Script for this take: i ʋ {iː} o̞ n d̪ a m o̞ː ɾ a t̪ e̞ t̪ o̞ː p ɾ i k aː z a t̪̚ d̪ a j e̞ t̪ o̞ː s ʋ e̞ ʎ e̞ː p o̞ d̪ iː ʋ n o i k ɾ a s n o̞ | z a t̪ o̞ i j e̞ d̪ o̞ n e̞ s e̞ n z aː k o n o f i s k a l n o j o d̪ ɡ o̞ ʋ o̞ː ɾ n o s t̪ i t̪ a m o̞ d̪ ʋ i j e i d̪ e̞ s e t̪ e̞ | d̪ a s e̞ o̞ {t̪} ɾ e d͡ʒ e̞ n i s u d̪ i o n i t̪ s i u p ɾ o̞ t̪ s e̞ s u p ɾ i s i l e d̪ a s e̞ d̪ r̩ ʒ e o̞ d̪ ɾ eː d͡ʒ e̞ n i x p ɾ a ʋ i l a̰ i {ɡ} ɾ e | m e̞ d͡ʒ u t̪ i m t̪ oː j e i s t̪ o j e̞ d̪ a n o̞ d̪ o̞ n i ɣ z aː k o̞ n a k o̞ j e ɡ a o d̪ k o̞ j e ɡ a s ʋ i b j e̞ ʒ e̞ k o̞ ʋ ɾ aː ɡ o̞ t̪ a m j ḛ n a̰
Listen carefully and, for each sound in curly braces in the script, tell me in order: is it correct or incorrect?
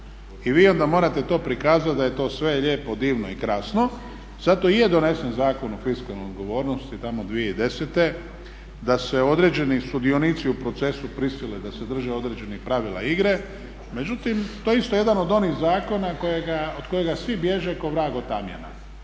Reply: correct, incorrect: d̪, correct

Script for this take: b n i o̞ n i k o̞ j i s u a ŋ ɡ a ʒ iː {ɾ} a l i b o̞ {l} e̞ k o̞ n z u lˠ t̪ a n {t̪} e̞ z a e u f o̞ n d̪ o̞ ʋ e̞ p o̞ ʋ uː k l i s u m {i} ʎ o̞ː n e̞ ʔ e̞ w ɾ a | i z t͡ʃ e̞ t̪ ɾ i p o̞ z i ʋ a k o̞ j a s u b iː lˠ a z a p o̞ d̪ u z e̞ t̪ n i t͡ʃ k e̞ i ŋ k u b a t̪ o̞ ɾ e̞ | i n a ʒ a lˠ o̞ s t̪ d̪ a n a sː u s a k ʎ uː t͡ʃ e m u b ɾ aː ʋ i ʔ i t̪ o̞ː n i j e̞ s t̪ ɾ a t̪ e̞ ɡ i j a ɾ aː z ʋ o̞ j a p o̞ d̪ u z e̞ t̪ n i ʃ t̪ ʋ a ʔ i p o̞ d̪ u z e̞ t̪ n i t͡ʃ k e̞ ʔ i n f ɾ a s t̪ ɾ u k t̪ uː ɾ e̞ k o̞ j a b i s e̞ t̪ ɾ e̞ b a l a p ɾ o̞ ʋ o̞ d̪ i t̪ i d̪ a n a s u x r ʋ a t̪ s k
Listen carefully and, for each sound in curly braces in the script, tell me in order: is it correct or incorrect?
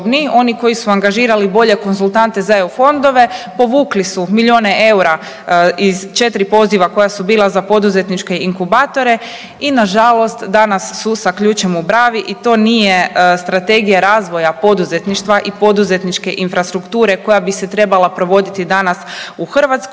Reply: correct, incorrect: ʎ, correct, correct

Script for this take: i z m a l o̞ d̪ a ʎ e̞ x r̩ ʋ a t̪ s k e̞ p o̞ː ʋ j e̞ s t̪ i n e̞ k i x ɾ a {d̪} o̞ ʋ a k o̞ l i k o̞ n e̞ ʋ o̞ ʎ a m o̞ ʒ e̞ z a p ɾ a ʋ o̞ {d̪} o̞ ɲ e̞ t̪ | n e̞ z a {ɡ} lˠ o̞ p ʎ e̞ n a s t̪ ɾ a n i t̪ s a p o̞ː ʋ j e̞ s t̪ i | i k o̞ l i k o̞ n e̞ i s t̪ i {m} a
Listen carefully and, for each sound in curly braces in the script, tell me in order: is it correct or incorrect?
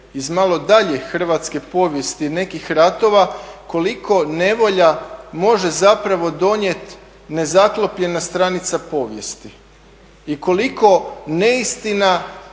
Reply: incorrect: t̪, correct, incorrect: k, incorrect: n

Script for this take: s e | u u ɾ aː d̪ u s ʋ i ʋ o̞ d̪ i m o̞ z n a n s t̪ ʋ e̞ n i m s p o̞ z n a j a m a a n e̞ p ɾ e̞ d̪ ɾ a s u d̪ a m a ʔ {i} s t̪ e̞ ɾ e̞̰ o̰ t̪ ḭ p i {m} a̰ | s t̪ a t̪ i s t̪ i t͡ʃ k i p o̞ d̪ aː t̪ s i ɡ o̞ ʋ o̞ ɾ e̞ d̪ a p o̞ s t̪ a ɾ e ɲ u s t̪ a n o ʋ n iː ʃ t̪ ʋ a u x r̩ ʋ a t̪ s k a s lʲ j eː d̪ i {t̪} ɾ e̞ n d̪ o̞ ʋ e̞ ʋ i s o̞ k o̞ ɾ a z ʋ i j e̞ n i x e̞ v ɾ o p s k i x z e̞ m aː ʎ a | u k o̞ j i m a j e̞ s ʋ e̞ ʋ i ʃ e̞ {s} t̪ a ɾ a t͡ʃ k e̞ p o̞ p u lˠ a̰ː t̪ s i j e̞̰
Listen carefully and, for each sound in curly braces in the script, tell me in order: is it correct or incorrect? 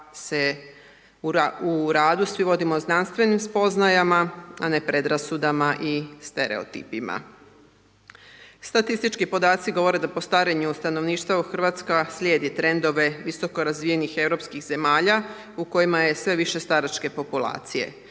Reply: correct, correct, correct, correct

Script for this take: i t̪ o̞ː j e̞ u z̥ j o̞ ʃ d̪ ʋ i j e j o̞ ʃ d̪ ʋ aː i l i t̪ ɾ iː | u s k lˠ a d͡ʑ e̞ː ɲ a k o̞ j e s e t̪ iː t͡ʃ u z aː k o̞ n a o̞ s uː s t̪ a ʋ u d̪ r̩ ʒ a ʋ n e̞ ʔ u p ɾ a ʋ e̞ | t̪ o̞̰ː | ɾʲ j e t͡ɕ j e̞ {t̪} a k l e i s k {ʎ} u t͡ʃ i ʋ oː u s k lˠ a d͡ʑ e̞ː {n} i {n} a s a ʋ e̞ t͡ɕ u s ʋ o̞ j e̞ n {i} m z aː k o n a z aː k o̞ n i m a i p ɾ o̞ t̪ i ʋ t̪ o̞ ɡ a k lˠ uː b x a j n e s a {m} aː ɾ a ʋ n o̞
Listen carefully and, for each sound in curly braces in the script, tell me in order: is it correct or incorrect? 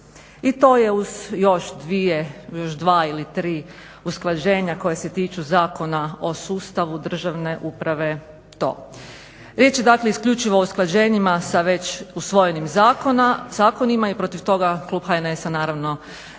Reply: incorrect: d̪, correct, incorrect: ɲ, incorrect: m, correct, incorrect: n

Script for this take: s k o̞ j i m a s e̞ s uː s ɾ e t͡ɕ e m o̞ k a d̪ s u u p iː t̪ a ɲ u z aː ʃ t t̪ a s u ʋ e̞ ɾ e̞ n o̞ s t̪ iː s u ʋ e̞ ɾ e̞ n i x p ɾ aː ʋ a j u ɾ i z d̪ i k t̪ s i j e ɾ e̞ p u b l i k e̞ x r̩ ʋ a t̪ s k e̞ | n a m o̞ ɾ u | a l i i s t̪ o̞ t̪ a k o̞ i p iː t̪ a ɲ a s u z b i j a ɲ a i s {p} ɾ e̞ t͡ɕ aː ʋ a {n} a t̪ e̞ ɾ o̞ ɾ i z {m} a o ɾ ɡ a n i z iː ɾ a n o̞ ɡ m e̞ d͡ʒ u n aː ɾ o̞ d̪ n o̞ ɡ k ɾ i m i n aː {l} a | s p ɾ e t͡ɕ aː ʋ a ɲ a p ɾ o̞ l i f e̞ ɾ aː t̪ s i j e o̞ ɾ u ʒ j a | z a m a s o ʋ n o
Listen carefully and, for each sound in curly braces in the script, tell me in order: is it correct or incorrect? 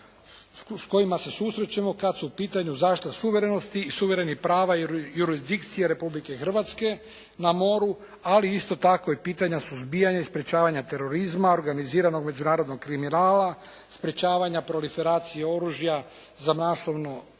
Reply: correct, incorrect: ɲ, correct, correct

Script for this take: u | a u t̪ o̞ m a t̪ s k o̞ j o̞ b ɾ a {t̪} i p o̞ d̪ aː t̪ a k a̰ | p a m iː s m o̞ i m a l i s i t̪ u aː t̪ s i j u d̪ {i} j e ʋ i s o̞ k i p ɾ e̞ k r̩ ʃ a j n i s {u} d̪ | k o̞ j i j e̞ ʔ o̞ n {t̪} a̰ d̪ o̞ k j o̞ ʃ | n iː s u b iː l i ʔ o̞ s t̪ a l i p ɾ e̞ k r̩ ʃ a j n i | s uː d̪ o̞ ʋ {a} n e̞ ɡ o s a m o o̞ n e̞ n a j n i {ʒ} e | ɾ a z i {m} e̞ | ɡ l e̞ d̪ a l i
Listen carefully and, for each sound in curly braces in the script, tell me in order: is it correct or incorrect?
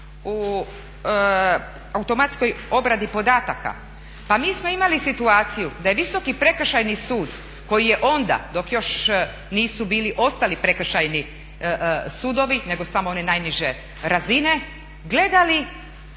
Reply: incorrect: d̪, incorrect: a, incorrect: uː, incorrect: d̪, incorrect: i, correct, incorrect: n

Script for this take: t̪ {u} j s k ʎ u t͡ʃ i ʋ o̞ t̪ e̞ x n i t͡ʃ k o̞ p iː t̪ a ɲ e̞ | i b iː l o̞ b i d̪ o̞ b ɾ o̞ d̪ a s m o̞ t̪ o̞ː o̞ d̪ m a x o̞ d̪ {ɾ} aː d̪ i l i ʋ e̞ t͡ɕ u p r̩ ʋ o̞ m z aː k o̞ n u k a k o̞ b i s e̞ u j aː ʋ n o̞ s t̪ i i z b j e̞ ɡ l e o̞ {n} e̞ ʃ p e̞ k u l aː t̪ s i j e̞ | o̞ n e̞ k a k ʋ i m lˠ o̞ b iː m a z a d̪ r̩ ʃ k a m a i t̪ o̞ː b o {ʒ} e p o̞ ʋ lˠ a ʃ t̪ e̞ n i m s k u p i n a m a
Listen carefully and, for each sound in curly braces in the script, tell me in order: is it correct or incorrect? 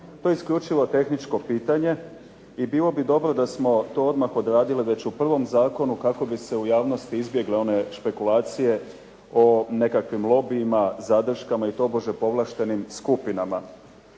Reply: incorrect: o, correct, correct, correct

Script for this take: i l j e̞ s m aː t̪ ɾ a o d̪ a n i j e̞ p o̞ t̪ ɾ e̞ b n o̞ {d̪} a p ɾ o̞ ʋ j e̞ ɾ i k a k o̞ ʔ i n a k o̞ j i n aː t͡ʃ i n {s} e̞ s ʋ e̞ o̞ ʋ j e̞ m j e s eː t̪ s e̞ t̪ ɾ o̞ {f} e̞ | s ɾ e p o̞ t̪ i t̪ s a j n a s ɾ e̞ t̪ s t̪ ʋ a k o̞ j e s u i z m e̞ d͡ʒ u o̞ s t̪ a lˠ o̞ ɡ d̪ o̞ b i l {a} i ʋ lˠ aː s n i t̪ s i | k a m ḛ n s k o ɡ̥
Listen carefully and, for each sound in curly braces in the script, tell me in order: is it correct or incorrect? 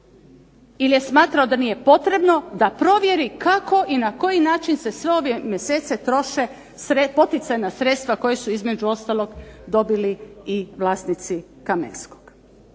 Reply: correct, correct, incorrect: ʃ, incorrect: i

